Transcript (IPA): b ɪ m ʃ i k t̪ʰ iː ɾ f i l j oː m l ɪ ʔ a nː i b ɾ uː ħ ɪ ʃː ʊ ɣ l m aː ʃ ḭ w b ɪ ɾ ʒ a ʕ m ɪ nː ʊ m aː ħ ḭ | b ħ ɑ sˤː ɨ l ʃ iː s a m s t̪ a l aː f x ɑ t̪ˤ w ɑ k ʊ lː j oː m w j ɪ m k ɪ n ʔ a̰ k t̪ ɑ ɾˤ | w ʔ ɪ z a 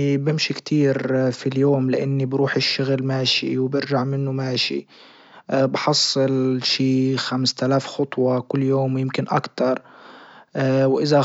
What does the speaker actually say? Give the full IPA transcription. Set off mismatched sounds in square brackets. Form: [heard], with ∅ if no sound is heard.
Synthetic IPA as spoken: b ɪ m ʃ i k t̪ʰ iː ɾ f i l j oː m l ɪ ʔ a nː i b ɾ uː ħ ɪ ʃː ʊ ɣ l m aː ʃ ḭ w b ɪ ɾ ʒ a ʕ m ɪ nː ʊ m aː [ʃ] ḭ | b ħ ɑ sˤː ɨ l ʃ iː [x] a m s t̪ a l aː f x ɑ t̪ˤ w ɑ k ʊ lː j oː m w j ɪ m k ɪ n ʔ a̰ k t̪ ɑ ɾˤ | w ʔ ɪ z a